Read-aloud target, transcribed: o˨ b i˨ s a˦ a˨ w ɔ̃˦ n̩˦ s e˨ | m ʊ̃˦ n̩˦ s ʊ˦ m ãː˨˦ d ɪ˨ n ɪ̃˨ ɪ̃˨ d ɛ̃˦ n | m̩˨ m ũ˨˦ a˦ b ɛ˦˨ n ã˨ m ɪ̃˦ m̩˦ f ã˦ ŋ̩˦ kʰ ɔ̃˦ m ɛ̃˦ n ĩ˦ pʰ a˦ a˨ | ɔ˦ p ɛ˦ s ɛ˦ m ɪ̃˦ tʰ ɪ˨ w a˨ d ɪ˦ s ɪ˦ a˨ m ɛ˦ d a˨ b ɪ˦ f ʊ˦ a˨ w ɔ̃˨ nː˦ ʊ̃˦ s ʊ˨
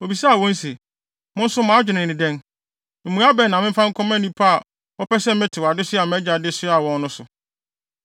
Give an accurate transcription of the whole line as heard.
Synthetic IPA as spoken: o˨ b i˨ s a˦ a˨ w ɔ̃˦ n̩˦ s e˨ | m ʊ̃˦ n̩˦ s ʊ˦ m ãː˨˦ d͡ʑᶣ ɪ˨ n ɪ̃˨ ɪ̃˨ d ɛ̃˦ n | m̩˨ m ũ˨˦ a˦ b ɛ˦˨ n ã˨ m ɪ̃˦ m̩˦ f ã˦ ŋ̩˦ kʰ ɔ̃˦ m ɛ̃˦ n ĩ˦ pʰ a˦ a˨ | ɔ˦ p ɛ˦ s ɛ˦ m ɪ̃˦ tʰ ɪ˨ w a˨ d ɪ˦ s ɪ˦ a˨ m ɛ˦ d͡ʑ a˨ d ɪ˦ s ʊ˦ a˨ w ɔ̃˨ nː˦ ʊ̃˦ s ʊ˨

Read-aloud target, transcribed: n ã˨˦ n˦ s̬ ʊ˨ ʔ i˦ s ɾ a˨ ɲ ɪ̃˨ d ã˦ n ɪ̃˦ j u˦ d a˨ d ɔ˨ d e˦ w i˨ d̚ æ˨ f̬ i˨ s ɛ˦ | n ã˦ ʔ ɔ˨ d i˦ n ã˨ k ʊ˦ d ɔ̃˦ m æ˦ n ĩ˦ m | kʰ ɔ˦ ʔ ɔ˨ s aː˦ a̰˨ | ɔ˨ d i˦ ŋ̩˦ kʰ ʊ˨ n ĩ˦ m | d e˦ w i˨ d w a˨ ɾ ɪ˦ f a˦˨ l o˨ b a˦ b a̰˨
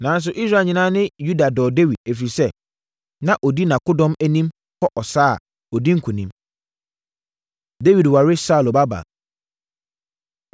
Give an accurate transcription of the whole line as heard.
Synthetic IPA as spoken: n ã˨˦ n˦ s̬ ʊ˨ ʔ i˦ s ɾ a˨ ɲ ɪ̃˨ n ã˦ n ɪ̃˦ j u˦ d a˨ d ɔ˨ d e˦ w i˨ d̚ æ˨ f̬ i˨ s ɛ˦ | n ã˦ ʔ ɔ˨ d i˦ n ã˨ k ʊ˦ d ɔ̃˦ m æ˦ n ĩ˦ m | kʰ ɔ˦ ʔ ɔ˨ s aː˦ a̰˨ | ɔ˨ d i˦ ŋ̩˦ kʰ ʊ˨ n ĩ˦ m | d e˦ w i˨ d w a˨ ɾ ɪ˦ s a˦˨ l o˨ b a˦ b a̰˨

